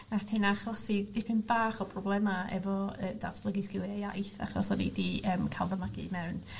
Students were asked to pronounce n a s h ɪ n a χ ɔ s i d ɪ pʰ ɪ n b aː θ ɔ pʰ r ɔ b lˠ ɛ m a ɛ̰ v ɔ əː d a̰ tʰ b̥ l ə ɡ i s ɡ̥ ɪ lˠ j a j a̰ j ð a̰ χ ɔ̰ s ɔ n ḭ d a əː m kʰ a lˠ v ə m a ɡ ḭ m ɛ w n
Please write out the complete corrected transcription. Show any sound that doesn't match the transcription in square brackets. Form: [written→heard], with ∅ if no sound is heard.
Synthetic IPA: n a [s→θ] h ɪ n a χ ɔ s i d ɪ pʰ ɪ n b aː [θ→χ] ɔ pʰ r ɔ b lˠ ɛ m a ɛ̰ v ɔ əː d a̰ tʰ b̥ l ə ɡ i s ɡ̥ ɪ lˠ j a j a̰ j [ð→θ] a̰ χ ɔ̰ s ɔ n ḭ d [a→i] əː m kʰ a lˠ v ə m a ɡ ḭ m ɛ w n